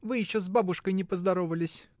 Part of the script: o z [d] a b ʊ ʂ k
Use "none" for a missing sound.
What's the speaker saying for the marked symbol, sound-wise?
b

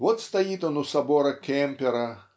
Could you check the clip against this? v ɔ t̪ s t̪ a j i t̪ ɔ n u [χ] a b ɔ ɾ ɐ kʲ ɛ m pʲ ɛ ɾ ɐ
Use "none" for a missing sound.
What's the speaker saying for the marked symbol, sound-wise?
s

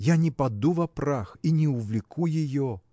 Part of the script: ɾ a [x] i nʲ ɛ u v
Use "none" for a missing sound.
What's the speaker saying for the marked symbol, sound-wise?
x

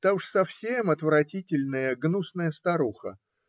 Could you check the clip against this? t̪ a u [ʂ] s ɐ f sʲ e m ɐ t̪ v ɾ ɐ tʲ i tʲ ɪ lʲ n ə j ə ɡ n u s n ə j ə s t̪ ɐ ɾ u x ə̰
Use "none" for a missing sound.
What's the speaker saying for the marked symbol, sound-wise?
ʂ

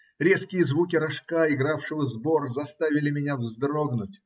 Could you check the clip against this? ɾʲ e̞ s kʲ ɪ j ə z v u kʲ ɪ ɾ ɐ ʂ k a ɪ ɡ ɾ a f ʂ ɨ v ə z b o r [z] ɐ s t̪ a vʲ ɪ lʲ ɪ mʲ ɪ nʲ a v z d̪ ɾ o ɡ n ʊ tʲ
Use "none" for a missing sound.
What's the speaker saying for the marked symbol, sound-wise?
z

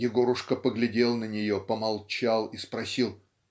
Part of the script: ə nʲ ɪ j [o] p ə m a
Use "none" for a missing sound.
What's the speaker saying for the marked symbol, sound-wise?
o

